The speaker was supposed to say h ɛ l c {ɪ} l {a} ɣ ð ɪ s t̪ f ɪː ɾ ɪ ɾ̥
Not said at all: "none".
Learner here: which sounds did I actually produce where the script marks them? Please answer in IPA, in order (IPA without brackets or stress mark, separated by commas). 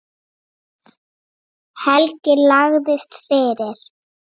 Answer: ɪ, a